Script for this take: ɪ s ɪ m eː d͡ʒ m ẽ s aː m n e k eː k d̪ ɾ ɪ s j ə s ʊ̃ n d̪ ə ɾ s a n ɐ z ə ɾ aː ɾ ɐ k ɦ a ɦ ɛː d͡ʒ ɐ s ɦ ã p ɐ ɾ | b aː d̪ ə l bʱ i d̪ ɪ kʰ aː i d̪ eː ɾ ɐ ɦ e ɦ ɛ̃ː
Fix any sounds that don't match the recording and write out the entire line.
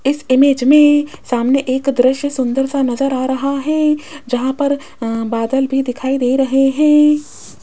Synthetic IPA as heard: ɪ s ɪ m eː d͡ʒ m ẽ s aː m n e ʔ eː k d̪ ɾ ɪ ʃ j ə s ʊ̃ n d̪ ə ɾ s a n ɐ z ə ɾ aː ɾ ɐ ɦ a ɦ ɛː d͡ʒ ɐ ɦ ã p ɐ ɾ | b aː d̪ ə l bʱ i d̪ ɪ kʰ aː i d̪ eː ɾ ɐ ɦ e ɦ ɛ̃ː